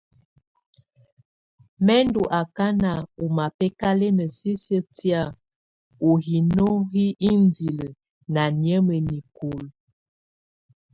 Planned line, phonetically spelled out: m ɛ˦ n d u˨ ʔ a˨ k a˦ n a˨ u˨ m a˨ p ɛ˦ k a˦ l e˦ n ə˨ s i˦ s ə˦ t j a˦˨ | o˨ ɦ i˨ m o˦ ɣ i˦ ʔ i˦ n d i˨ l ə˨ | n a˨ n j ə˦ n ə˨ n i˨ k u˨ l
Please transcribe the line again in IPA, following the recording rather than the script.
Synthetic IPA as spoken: m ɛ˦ n d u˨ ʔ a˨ k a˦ n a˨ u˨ m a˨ p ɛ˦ k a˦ l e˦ n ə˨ s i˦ s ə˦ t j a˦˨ | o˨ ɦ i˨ n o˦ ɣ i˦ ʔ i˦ n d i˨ l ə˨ | n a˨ n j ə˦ m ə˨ n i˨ k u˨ l